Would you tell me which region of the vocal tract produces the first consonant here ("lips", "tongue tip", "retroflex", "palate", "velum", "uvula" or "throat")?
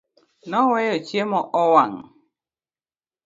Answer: tongue tip